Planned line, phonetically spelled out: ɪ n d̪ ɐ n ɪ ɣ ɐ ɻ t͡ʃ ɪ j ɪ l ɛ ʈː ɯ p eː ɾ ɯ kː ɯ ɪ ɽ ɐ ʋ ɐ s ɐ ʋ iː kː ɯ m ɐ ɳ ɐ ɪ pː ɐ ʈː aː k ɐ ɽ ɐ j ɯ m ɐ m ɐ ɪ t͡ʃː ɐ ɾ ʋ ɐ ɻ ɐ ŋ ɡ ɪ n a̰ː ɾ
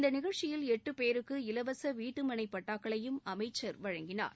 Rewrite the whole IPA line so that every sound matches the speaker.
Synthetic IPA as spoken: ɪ n d̪ ɐ n ɪ ɣ ɐ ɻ t͡ʃ ɪ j ɪ l ɛ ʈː ɯ p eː ɾ ɯ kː ɯ ɪ l ɐ ʋ ɐ s ɐ ʋ iː ʈː ɯ m ɐ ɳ ɐ ɪ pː ɐ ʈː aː k ɐ ɭ ɐ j ɯ m ɐ m ɐ ɪ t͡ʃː ɐ ɾ ʋ ɐ ɻ ɐ ŋ ɡ ɪ n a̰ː ɾ